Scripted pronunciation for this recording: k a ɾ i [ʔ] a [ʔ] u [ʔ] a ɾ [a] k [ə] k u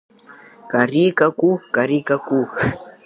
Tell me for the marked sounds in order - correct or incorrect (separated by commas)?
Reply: incorrect, incorrect, incorrect, incorrect, incorrect